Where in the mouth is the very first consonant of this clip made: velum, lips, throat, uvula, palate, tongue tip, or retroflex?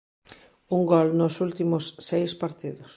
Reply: velum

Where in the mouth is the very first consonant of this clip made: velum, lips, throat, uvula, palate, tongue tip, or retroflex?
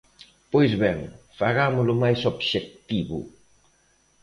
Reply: lips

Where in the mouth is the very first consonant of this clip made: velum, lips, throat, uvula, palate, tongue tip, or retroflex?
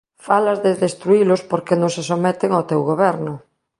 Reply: lips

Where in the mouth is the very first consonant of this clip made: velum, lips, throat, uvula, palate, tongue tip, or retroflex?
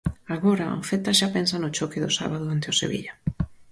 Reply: velum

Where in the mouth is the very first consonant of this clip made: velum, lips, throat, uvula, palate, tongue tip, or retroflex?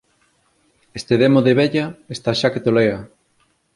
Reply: tongue tip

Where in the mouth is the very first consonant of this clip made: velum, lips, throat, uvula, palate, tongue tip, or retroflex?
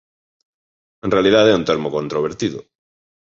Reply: tongue tip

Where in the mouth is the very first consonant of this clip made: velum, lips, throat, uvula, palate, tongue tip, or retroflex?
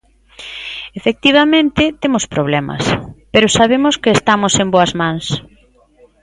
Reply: lips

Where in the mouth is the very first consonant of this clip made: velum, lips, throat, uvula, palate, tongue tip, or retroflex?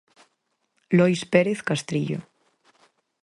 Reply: tongue tip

